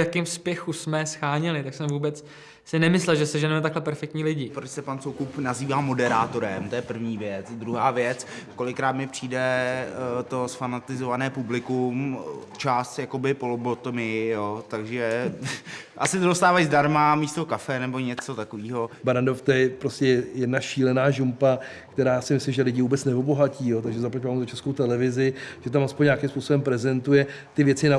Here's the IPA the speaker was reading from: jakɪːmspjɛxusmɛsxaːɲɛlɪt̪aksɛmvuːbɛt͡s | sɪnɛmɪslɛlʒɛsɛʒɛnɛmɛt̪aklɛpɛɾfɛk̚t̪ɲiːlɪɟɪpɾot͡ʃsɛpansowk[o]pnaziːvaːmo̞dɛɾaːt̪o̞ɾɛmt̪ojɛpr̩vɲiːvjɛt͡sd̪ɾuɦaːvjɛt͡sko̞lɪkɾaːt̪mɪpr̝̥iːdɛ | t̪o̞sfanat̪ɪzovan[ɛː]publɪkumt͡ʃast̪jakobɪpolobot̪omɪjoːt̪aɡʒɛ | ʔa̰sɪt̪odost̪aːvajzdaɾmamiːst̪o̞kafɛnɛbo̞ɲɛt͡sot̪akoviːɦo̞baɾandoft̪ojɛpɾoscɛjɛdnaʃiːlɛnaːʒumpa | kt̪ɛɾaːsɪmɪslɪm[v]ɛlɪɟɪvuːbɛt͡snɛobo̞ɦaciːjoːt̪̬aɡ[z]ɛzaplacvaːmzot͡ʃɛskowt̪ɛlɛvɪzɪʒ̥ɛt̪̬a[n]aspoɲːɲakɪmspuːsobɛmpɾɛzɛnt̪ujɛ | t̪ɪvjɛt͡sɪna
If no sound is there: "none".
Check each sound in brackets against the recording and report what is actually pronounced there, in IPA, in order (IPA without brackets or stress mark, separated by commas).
u, ɛː, ʒ, ʒ, m